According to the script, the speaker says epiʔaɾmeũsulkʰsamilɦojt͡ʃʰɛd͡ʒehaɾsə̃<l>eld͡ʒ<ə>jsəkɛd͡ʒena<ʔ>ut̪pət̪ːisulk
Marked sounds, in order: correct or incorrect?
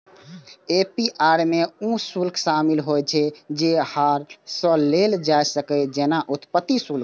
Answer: correct, incorrect, correct

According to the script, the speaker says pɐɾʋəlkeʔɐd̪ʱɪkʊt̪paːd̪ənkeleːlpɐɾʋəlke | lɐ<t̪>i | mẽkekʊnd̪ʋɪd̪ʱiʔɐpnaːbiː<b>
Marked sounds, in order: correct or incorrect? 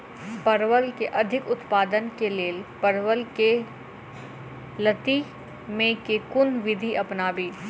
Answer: correct, incorrect

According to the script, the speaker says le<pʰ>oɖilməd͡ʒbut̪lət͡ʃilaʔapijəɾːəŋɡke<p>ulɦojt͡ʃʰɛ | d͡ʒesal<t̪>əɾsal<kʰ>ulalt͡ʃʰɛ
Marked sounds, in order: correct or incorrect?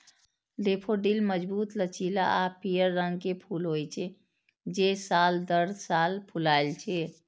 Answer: correct, incorrect, incorrect, incorrect

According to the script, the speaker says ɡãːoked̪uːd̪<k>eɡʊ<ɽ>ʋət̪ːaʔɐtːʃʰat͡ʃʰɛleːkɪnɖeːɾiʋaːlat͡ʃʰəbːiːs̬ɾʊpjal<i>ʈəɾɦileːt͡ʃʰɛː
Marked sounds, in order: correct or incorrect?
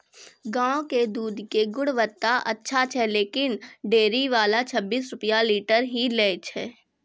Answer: correct, correct, incorrect

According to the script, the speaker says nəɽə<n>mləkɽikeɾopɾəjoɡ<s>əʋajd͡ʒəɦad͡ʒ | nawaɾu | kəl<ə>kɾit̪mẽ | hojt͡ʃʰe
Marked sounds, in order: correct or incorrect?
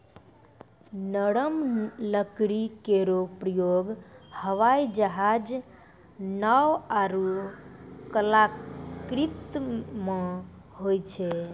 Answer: incorrect, incorrect, incorrect

